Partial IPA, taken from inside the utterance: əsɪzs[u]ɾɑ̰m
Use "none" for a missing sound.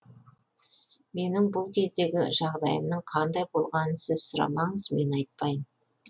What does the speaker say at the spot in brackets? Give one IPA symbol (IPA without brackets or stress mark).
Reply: ʊ